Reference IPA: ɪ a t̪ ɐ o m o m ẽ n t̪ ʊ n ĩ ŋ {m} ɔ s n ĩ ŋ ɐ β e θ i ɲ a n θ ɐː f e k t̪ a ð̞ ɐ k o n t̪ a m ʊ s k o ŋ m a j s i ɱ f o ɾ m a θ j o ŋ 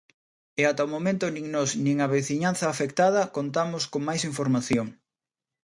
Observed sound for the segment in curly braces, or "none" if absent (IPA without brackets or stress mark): n